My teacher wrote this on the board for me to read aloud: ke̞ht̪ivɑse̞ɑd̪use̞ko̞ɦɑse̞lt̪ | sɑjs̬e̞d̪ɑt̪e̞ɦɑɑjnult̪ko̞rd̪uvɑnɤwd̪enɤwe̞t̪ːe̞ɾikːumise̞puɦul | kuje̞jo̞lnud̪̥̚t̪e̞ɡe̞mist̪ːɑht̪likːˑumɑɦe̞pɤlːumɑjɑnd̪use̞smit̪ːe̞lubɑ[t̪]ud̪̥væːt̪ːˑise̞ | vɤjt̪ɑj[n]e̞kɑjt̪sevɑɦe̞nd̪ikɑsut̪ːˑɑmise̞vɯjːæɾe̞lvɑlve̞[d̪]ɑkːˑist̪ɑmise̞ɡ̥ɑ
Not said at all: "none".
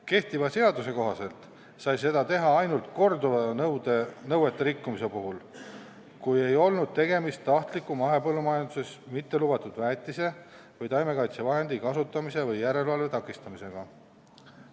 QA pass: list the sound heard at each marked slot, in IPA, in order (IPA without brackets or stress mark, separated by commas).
t̪, m, t̪